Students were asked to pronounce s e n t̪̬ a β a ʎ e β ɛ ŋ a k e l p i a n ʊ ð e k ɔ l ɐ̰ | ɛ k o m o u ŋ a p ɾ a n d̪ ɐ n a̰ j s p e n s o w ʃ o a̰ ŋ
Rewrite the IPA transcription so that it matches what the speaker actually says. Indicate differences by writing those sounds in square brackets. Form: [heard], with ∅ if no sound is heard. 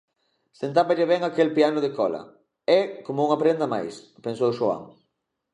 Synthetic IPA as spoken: s e n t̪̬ a β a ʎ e β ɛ ŋ a k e l p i a n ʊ ð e k ɔ l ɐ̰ | ɛ k o m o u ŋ a p ɾ [e] n d̪ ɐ [m] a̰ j s p e n s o w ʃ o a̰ ŋ